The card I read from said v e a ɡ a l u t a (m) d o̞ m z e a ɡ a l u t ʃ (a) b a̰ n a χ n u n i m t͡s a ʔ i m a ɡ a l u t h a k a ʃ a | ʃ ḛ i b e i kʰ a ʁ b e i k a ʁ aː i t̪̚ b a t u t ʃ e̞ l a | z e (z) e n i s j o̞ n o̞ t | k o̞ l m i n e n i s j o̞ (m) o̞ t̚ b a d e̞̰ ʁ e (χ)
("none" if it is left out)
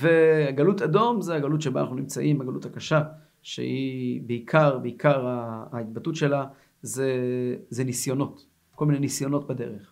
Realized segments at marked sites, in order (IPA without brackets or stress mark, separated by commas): none, e, z, n, χ